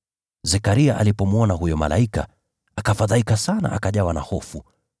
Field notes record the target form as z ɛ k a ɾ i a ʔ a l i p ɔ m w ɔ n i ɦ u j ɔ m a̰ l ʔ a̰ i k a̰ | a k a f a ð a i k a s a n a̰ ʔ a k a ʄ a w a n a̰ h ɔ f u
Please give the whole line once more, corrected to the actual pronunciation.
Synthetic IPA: z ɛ k a ɾ i a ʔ a l i p ɔ m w ɔ n a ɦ u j ɔ m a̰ l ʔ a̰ i k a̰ | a k a f a ð a i k a s a n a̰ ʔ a k a ʄ a w a n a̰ h ɔ f u